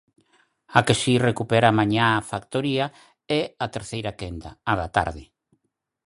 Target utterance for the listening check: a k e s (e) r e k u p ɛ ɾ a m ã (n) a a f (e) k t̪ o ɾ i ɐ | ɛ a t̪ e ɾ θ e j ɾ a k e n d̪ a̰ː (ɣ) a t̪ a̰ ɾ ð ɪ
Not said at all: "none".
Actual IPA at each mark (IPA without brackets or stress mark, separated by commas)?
i, ɲ, a, ð